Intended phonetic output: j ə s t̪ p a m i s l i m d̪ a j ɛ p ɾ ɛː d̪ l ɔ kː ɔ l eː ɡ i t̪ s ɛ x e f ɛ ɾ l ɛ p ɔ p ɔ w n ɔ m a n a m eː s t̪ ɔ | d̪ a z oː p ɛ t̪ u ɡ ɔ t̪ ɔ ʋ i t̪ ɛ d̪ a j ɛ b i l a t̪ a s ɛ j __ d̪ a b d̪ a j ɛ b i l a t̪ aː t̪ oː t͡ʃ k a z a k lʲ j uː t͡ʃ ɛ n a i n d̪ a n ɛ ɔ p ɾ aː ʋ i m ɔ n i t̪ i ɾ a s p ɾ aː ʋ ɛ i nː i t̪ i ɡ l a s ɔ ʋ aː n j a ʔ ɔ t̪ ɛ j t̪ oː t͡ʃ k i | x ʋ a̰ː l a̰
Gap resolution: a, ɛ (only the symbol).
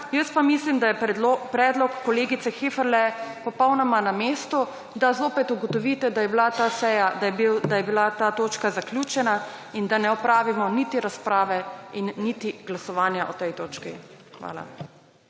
a